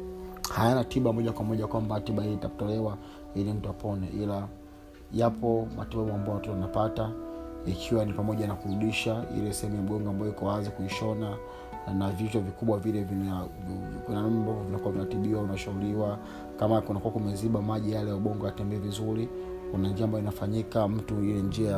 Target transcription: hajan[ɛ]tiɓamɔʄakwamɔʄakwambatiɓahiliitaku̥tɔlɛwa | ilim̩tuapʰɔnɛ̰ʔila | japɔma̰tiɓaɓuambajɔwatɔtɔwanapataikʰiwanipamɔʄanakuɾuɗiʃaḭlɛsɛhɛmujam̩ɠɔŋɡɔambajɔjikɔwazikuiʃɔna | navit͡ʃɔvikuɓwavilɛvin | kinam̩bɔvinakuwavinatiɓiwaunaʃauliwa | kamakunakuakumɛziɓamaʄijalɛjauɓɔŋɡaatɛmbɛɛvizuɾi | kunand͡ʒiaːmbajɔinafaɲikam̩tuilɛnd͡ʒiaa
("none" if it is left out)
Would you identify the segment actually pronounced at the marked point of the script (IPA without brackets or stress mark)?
a